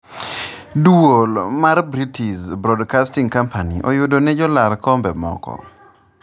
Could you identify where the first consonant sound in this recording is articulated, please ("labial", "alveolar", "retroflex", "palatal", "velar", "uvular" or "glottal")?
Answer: alveolar